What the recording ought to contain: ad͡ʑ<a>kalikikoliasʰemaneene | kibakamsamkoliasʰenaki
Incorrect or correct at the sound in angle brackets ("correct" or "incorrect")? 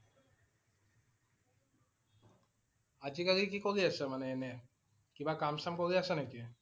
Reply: incorrect